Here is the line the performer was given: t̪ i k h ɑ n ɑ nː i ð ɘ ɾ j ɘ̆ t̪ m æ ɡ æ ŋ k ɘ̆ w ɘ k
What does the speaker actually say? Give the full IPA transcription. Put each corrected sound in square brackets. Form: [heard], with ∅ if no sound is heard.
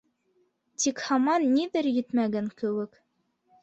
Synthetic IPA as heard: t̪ i k h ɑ [m] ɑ nː i ð ɘ ɾ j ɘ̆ t̪ m æ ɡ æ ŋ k ɘ̆ w ɘ k